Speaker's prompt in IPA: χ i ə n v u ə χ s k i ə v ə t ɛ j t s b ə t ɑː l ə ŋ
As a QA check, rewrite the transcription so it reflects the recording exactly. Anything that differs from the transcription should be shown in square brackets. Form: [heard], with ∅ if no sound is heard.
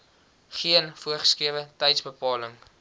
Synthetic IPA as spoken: χ i ə n [f] u ə χ s k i ə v ə t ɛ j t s b ə [p] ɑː l ə ŋ